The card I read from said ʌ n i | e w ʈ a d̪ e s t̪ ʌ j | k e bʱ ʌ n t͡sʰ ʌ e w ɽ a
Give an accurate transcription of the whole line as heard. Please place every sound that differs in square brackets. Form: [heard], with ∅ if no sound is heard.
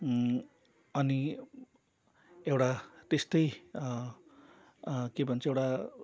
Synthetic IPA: ʌ n i | e w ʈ a [t̪] e s t̪ ʌ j | k e bʱ ʌ n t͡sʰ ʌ e w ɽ a